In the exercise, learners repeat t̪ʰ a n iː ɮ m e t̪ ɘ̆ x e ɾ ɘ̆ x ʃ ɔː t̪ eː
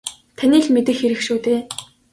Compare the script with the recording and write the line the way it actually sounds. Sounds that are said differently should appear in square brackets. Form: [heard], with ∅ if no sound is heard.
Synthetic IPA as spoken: t̪ʰ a n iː ɮ m e t̪ ɘ̆ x e ɾ ɘ̆ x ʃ [uː] t̪ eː